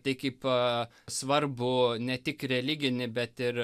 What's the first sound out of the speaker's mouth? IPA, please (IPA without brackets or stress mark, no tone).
t̪